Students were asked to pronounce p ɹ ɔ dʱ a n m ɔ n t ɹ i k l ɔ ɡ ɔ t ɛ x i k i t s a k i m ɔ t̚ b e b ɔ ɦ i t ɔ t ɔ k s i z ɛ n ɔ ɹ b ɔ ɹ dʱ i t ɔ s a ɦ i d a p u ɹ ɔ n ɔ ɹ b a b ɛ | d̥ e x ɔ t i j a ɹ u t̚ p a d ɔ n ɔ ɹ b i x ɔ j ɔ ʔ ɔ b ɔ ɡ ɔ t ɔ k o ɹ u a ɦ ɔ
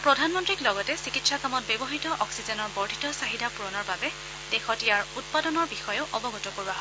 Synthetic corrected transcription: p ɹ ɔ dʱ a n m ɔ n t ɹ i k l ɔ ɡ ɔ t ɛ s i k i t s a k a m ɔ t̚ b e b ɔ ɦ i t ɔ ʔ ɔ k s i z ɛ n ɔ ɹ b ɔ ɹ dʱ i t ɔ s a ɦ i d a p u ɹ ɔ n ɔ ɹ b a b ɛ | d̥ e x ɔ t i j a ɹ u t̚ p a d ɔ n ɔ ɹ b i x ɔ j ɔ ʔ ɔ b ɔ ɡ ɔ t ɔ k o ɹ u a ɦ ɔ